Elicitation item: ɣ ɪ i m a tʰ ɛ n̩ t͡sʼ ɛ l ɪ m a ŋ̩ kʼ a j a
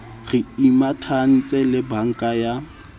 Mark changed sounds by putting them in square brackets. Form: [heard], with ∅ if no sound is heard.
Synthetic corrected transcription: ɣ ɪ i m a tʰ [a] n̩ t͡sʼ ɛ l ɪ [b] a ŋ̩ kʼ a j a